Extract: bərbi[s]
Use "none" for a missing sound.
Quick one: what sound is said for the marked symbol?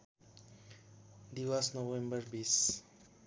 s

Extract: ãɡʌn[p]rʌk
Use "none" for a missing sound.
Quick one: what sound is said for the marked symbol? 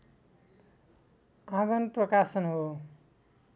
p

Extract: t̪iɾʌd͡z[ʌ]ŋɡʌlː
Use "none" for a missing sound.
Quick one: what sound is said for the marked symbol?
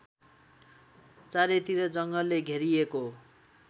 ʌ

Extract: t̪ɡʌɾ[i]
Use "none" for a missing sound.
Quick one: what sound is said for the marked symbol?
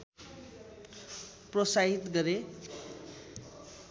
e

